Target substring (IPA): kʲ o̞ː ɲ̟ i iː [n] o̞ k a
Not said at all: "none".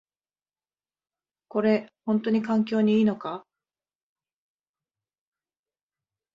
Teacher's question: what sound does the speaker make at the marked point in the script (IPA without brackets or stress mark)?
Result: n